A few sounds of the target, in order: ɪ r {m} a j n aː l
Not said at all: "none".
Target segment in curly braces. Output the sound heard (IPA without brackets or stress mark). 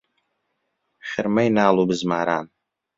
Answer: m